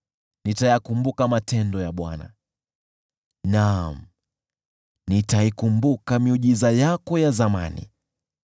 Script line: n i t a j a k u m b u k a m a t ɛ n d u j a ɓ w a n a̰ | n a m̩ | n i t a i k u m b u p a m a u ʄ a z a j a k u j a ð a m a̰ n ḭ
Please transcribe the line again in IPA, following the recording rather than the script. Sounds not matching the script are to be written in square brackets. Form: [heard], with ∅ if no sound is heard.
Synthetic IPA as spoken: n i t a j a k u m b u k a m a t ɛ n d [ɔ] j a ɓ w a n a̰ | n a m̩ | n i t a i k u m b u [k] a m [i] u ʄ [i] z a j a k [ɔ] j a [z] a m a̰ n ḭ